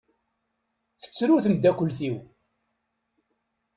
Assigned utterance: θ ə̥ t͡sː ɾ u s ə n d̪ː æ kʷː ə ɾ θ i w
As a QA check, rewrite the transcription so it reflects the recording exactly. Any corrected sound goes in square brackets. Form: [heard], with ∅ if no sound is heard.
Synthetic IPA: θ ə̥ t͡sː ɾ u [θ] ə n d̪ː æ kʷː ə [l] θ i w